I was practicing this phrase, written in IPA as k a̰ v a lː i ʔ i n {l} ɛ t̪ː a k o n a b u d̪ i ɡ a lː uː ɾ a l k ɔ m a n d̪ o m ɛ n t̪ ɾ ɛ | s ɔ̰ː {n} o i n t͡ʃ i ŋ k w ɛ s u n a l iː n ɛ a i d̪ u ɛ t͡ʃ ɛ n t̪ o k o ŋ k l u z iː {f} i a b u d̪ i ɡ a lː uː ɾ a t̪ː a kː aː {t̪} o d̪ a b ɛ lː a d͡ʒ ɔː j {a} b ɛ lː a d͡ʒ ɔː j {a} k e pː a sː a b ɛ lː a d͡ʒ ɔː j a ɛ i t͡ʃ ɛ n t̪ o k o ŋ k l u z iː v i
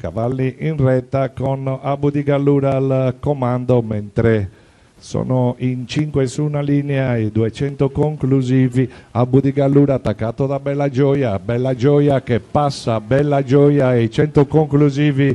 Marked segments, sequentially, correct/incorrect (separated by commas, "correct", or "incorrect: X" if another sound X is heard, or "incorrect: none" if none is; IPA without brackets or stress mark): incorrect: r, correct, incorrect: v, correct, correct, correct